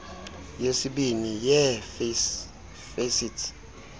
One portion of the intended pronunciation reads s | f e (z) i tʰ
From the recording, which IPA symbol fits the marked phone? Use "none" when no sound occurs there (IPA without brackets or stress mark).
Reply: s